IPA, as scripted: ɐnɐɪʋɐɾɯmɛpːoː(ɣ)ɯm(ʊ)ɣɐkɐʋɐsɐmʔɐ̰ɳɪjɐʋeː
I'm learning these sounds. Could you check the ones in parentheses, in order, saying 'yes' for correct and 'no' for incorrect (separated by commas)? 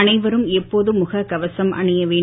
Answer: no, yes